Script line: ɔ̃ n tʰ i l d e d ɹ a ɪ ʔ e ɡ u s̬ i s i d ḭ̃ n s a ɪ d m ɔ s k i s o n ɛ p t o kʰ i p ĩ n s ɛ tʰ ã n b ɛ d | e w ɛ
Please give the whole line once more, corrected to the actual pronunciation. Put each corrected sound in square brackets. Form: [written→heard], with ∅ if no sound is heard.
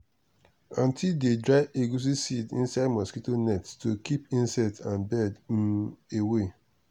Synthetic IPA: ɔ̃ n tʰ i l d e d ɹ a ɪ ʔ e ɡ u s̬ i s i d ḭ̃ n s a ɪ d m ɔ s k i [s→t] o n ɛ [p→t] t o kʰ i p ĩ n s ɛ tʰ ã n b ɛ d | e w [ɛ→e]

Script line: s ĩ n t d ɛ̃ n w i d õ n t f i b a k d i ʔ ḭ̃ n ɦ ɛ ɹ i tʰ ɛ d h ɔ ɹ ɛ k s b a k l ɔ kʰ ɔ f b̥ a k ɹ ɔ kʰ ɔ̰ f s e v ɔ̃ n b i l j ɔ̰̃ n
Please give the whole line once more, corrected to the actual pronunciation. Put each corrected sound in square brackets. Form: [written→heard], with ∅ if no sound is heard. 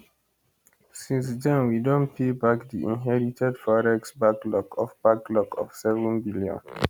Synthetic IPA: s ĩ n [t→s] d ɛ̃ n w i d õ n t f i b a k d i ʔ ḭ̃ n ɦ ɛ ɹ i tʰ ɛ d [h→f] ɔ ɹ ɛ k s b a k l ɔ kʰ ɔ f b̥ a k [ɹ→l] ɔ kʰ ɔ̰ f s [e→ɛ] v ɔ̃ n b i l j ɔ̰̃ n

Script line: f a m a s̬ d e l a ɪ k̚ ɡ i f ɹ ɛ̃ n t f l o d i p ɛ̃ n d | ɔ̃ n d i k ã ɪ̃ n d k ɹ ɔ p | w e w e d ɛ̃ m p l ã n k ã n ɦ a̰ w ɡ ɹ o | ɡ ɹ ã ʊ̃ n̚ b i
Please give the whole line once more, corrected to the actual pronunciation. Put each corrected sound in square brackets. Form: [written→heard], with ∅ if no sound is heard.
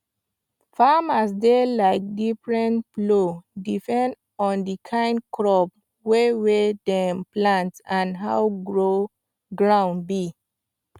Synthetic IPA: f a m a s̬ d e l a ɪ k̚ [ɡ→d] i f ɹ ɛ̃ n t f l o d i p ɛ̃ n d | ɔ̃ n d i [k→kʰ] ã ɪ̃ n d k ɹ ɔ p | w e w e d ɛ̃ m p l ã n [k→t] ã n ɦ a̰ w ɡ ɹ o | ɡ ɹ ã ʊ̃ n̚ b i

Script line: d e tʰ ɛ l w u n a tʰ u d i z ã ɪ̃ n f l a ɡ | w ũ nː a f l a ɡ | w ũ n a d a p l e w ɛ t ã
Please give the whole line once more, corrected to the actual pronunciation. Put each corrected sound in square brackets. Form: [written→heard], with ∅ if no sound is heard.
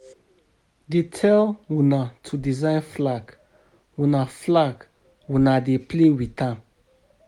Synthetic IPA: d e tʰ ɛ l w u n a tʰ u d i z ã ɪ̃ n f l a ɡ | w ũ [nː→n] a f l a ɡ | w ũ n a d [a→e] p l e w [ɛ→i] t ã

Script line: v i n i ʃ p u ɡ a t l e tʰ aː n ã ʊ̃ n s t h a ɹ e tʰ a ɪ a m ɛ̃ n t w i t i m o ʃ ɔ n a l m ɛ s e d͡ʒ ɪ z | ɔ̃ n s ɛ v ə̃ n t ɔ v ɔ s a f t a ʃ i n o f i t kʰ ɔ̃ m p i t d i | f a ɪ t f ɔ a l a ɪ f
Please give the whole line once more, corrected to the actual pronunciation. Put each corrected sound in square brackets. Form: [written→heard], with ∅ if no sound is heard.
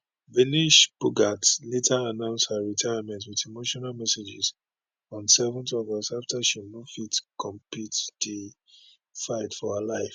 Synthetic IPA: v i n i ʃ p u ɡ a t l e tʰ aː n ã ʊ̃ n s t h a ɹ [e→i] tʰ a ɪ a m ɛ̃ n t w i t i m o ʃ ɔ n a l m ɛ s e d͡ʒ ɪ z | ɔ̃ n s ɛ v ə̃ n t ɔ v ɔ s a f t a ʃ i n o f i t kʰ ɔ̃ m p i t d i | f a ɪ t f ɔ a l a ɪ f

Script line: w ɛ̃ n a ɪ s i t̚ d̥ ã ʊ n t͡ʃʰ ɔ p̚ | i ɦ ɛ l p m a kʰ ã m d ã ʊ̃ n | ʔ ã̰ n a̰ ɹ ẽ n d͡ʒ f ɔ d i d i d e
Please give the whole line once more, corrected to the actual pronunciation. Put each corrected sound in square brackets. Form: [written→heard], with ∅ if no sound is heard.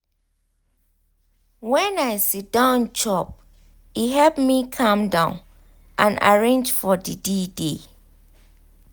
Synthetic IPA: w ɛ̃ n a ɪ s i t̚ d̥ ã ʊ n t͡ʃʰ ɔ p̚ | i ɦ ɛ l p m [a→i] kʰ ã m d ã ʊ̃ n | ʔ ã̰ n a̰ ɹ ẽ n d͡ʒ f ɔ d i d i d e

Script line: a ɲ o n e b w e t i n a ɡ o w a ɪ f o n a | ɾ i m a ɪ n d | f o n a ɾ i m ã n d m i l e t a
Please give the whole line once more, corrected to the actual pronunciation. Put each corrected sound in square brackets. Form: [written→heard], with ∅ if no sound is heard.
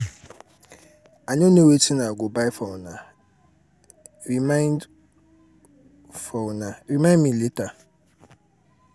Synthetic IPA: a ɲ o n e [b→∅] w e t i n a ɡ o [w→b] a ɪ f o n a | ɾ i m a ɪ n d | f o n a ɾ i m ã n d m i l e t a

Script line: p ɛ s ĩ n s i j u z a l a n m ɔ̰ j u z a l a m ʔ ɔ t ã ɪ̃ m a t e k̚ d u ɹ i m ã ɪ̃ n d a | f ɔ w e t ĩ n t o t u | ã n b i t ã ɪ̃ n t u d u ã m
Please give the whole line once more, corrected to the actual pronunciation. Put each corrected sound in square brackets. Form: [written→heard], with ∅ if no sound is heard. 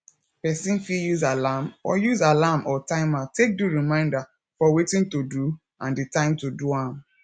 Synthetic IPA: p ɛ s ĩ n [s→f] i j u z a l a [n→∅] m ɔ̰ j u z a l a m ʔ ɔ t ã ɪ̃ m a t e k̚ d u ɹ i m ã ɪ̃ n d a | f ɔ w e t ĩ n t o [t→d] u | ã n [b→d] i t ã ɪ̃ [n→m] t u d u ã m

